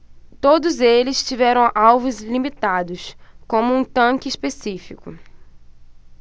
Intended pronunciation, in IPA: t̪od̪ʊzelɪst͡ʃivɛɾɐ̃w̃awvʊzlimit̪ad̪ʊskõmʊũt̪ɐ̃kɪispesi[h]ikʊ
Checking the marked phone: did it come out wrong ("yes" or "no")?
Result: yes